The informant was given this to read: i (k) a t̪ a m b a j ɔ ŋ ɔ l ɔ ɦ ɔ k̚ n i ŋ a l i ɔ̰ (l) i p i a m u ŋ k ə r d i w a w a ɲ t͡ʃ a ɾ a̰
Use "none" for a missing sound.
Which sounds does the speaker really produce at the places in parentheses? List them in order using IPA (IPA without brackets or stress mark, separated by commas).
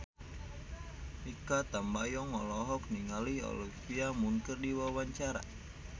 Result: k, l